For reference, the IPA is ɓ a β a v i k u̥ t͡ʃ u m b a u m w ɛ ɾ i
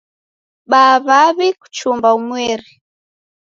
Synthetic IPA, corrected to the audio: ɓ a β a β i k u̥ t͡ʃ u m b a u m w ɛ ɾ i